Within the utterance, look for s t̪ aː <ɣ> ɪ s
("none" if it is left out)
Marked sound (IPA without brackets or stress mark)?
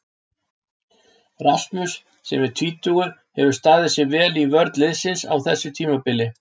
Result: ð